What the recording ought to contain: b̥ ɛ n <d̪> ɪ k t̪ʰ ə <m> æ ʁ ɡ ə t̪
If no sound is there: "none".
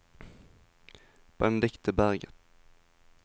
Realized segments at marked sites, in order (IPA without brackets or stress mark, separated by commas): d̪, b